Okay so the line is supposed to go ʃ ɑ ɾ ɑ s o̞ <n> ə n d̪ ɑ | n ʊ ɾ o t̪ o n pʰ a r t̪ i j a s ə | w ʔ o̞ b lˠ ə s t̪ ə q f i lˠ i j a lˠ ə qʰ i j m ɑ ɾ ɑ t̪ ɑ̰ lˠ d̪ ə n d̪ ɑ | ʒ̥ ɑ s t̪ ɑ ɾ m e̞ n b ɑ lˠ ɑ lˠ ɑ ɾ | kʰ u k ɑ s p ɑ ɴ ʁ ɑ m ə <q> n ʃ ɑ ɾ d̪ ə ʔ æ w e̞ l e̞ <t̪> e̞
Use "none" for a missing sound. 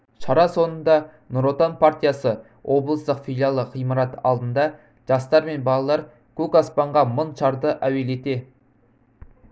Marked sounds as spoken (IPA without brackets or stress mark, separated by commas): n, none, t̪